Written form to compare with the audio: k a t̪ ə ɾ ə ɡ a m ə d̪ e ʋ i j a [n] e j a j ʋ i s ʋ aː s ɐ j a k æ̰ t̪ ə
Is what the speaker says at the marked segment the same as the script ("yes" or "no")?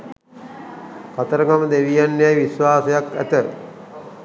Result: no